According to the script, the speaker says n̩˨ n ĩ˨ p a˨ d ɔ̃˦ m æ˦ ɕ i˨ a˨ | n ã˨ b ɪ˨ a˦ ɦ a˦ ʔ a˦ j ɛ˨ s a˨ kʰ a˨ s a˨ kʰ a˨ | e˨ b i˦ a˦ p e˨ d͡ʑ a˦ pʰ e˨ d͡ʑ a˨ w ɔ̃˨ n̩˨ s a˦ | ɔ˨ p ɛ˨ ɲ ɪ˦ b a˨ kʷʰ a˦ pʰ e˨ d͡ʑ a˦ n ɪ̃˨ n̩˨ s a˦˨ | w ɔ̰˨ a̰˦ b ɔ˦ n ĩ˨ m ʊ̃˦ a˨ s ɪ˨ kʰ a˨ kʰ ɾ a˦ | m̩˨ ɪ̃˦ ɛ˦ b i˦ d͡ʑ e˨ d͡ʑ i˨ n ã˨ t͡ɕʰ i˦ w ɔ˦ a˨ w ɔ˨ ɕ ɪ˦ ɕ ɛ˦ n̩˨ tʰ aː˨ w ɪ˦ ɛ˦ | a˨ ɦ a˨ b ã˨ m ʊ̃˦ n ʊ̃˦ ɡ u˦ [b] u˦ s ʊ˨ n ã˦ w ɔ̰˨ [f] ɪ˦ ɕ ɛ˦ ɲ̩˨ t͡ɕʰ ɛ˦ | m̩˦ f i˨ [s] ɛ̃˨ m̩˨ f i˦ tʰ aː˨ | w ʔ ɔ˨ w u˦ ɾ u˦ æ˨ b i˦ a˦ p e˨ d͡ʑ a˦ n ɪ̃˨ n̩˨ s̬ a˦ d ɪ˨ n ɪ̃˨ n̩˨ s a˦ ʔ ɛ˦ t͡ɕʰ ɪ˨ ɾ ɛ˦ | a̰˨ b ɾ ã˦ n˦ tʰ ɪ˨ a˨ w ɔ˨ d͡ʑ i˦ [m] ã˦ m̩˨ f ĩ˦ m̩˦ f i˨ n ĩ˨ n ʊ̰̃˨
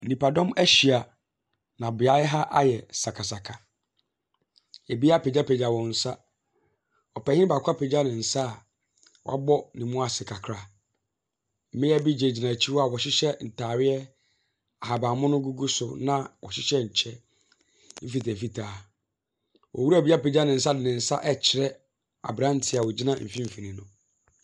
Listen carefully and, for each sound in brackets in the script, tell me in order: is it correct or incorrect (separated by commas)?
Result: incorrect, incorrect, incorrect, incorrect